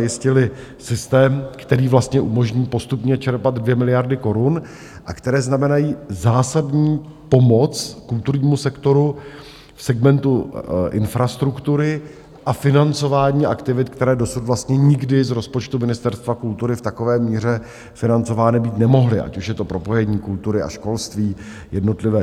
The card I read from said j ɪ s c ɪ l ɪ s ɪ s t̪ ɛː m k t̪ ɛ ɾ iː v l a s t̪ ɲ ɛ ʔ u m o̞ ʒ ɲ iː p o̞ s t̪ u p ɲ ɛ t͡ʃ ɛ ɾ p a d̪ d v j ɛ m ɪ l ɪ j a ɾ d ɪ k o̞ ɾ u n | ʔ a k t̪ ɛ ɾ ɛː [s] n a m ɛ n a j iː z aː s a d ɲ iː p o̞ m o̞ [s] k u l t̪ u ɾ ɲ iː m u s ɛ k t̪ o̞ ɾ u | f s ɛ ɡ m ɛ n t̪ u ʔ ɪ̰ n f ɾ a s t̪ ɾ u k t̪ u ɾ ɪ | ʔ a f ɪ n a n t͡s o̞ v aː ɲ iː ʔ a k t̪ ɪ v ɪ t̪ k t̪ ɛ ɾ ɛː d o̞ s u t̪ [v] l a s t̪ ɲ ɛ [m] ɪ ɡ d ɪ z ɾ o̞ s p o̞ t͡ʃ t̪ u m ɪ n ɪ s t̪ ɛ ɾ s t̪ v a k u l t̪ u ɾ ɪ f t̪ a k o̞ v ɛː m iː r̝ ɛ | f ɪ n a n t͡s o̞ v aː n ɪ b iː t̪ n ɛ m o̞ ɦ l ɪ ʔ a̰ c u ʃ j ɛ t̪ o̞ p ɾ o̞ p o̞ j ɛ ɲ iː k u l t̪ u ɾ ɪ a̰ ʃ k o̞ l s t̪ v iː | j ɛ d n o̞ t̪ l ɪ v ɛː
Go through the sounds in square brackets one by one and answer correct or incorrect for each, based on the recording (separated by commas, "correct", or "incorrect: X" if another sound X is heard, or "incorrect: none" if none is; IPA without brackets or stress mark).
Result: incorrect: z, incorrect: t͡s, correct, incorrect: ɲ